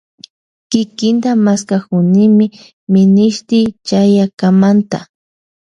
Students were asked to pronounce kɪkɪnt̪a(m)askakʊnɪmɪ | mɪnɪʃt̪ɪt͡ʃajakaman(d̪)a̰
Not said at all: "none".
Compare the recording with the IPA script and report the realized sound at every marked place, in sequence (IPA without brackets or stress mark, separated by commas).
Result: m, t̪